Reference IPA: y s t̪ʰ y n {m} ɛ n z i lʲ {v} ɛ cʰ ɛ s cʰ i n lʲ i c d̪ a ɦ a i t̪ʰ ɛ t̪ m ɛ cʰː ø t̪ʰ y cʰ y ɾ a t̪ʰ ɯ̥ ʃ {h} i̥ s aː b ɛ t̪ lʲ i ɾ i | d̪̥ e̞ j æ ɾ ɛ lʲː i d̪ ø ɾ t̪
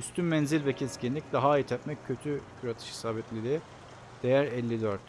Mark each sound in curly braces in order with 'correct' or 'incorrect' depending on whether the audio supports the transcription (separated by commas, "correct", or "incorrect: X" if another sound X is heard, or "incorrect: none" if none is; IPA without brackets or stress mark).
correct, correct, correct